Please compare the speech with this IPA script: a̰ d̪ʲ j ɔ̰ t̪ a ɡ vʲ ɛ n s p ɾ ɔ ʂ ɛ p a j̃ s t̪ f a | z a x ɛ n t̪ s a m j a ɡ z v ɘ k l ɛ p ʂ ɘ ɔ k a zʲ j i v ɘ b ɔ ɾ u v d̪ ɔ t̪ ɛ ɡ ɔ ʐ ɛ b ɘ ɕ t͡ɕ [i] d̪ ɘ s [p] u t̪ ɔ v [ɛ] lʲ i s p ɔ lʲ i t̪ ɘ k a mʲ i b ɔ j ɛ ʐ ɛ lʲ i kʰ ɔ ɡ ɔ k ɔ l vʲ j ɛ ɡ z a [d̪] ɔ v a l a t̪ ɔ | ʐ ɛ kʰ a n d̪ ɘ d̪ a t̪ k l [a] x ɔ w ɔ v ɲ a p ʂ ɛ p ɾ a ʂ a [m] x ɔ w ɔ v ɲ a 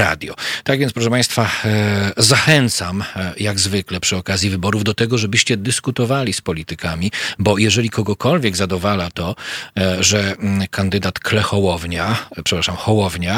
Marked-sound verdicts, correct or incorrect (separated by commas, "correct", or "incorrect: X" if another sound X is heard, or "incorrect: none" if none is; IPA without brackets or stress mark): incorrect: ɛ, incorrect: k, incorrect: a, correct, incorrect: ɛ, correct